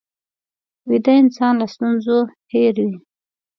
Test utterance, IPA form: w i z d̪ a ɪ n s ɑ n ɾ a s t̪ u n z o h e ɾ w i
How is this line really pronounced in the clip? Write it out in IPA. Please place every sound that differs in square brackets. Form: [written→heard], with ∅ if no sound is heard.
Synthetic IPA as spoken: w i [z→∅] d̪ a ɪ n s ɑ n [ɾ→l] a s t̪ u n z o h e ɾ w i